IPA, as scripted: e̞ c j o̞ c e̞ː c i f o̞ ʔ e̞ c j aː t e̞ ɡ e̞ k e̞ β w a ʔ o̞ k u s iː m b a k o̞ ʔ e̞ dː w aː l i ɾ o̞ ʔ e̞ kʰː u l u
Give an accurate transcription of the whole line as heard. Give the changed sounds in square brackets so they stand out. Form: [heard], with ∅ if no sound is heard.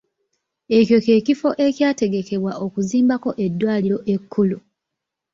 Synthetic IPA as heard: e̞ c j o̞ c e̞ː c i f o̞ ʔ e̞ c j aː t e̞ ɡ e̞ k e̞ β w a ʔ o̞ k u [z] iː m b a k o̞ ʔ e̞ dː w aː l i ɾ o̞ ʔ e̞ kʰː u l u